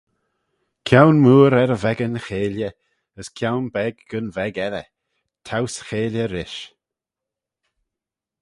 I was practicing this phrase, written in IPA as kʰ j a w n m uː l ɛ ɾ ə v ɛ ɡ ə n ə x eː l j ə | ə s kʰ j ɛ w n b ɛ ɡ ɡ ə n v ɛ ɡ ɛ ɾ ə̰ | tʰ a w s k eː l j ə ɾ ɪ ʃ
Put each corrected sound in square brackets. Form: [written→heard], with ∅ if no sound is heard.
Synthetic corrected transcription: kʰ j a w n m uː [l→ɾ] ɛ ɾ ə v ɛ ɡ ə n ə x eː l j ə | ə s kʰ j [ɛ→a] w n b ɛ ɡ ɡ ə n v ɛ ɡ ɛ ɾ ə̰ | tʰ a w s [k→x] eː l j ə ɾ ɪ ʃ